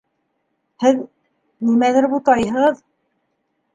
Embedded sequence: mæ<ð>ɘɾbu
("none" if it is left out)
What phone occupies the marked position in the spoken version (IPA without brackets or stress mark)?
ð